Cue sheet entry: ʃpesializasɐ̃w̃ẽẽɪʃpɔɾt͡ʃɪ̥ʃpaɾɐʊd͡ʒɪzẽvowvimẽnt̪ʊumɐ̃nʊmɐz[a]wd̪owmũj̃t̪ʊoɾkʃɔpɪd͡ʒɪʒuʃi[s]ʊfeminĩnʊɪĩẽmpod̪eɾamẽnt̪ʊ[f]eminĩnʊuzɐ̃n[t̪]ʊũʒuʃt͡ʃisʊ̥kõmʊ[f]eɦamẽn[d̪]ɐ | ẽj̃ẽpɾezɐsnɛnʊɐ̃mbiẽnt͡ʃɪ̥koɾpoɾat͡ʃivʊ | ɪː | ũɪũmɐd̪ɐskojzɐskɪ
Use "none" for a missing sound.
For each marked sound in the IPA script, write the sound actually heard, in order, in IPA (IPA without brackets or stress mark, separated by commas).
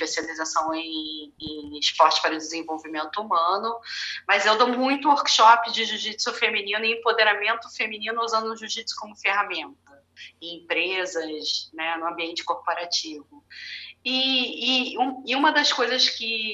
e, s, f, d̪, f, t̪